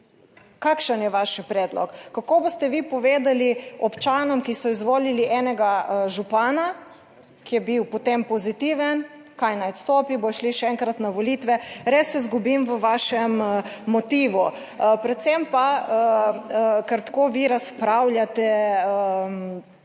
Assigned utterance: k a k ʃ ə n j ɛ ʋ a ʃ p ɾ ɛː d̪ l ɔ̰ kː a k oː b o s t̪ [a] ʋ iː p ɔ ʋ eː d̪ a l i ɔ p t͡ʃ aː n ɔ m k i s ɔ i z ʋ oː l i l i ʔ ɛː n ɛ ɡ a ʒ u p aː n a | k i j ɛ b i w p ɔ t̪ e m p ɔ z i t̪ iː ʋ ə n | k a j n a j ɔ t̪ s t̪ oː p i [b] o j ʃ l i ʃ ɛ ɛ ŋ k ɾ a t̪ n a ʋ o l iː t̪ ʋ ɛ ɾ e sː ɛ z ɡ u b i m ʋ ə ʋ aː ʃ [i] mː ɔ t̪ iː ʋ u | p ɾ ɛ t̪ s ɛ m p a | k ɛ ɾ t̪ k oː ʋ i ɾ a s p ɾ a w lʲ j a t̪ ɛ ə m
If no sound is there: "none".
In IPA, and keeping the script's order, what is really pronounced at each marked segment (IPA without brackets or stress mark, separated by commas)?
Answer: ɛ, b, ɛ